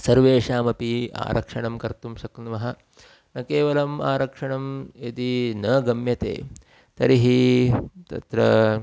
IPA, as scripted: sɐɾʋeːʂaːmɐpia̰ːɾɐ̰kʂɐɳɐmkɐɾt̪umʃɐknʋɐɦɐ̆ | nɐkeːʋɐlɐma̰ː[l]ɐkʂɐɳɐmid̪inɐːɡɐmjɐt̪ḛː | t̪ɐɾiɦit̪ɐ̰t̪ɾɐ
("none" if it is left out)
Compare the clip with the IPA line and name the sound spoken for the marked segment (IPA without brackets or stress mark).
ɾ